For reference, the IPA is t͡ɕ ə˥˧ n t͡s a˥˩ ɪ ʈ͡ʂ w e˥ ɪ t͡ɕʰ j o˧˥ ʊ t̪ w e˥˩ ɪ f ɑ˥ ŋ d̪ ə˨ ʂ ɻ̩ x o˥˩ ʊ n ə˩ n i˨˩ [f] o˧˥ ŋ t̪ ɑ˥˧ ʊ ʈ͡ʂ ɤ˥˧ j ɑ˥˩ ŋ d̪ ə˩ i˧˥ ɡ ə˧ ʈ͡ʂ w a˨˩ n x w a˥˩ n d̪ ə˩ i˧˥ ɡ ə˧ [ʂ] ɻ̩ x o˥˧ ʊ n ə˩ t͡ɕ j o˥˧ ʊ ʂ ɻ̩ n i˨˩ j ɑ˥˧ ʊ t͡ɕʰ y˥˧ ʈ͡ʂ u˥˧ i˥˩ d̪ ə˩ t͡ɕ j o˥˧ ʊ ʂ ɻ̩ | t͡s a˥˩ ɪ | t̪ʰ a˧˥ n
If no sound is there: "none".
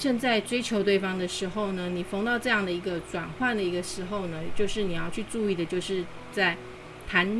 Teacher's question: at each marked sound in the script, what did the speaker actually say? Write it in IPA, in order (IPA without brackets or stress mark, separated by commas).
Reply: f, ʂ